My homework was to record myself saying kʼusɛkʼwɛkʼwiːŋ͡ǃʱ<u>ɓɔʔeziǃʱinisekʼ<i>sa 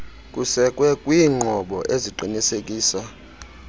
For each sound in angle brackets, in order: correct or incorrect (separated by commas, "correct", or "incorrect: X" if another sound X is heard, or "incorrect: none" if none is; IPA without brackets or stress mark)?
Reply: incorrect: ɔ, incorrect: iː